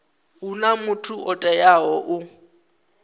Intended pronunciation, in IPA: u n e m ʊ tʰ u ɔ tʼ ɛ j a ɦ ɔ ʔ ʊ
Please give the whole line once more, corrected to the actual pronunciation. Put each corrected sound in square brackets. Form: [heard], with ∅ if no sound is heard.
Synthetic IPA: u n [a] m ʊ tʰ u ɔ tʼ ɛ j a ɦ ɔ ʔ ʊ